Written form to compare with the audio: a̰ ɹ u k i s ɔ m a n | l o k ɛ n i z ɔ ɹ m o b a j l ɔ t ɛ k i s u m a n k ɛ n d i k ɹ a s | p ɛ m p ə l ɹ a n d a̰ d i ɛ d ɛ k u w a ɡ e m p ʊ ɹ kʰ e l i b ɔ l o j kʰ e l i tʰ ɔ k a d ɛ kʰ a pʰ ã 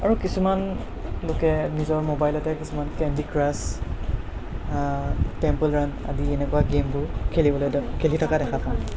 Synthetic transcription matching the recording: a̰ ɹ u k i s u m a n | l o k ɛ n i z ɔ ɹ m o b a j l ɔ t ɛ k i s u m a n k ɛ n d i k ɹ a s | t ɛ m p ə l ɹ a n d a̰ d i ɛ n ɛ k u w a ɡ e m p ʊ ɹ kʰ e l i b ɔ l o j kʰ e l i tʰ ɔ k a d ɛ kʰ a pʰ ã